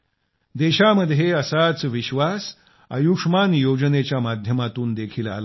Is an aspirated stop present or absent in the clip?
present